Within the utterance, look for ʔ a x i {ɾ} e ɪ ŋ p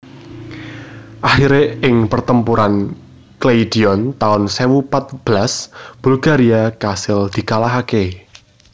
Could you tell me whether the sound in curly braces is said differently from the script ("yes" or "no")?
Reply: no